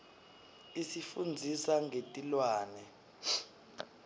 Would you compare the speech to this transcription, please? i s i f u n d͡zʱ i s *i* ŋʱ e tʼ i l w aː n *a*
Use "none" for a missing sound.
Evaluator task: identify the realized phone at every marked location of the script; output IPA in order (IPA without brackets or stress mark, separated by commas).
a, ɛ